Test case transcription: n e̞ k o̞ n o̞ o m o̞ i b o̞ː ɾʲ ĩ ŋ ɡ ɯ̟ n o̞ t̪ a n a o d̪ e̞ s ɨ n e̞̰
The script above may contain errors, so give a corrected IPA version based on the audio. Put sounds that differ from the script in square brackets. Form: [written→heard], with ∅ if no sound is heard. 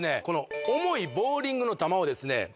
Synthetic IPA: n e̞ k o̞ n o̞ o m o̞ i b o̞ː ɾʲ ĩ ŋ ɡ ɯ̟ n o̞ t̪ a [n→m] a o d̪ e̞ s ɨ n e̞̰